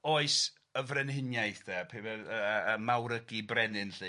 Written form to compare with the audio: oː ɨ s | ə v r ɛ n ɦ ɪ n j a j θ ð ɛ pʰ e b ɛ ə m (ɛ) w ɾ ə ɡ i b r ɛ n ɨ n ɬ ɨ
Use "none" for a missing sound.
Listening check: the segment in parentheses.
a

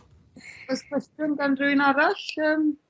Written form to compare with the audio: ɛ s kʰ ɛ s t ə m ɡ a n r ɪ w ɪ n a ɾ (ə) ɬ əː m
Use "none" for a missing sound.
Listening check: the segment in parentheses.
a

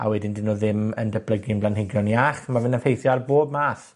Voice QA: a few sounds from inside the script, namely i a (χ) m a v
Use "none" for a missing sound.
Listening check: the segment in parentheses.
χ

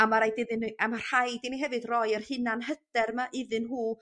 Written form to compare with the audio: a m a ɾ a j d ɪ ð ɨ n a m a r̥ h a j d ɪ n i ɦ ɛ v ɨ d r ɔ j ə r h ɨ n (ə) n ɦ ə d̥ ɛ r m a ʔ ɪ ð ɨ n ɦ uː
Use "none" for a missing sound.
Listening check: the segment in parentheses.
a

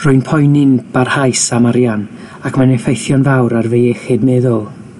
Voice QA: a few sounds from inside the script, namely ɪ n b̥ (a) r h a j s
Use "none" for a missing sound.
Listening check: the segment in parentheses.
a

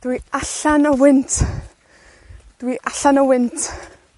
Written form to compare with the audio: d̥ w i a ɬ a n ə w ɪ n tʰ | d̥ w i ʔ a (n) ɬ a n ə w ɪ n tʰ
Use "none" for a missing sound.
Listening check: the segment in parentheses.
none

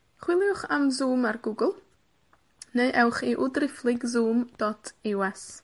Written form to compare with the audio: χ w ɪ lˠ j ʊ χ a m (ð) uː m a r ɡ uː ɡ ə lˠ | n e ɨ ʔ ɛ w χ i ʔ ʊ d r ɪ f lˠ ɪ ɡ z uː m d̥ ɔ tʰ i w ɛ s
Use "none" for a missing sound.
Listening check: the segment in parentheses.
z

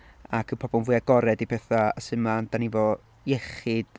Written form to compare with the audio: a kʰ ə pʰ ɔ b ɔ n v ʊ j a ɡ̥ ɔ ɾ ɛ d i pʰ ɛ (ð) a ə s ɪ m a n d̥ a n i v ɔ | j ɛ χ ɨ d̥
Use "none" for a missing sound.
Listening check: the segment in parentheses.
θ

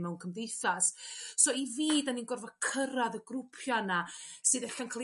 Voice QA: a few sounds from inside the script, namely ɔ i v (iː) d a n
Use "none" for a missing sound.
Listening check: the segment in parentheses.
iː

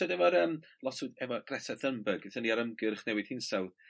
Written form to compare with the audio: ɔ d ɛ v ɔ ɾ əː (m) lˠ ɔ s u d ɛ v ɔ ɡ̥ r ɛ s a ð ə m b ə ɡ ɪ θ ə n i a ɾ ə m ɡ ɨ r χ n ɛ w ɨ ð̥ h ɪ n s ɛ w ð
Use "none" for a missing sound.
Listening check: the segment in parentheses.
m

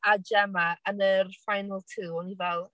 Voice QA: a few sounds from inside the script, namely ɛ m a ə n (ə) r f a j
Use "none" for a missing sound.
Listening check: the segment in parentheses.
ə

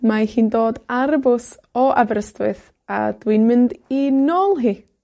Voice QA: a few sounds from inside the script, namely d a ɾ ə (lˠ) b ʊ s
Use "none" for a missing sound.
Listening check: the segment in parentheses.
none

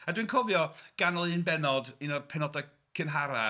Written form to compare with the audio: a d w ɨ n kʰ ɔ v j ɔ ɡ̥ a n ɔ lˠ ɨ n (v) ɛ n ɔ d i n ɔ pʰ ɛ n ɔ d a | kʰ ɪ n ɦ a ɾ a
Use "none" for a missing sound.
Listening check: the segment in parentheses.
b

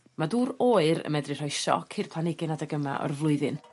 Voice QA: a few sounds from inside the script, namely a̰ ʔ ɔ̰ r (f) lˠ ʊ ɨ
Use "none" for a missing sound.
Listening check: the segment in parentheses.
v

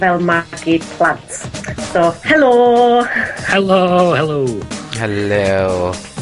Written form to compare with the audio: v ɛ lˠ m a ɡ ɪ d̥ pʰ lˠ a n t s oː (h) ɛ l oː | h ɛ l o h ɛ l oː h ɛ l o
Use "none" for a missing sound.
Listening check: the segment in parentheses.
h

